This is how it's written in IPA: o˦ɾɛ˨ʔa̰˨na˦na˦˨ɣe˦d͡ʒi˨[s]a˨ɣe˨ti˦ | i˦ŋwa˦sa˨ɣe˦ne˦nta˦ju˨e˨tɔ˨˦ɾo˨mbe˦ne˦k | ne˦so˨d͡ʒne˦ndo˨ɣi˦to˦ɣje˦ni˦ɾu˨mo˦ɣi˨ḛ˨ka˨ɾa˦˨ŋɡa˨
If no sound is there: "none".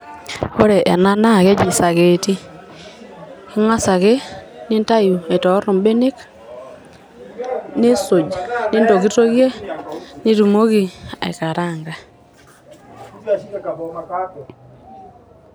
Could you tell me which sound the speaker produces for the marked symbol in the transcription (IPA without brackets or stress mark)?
s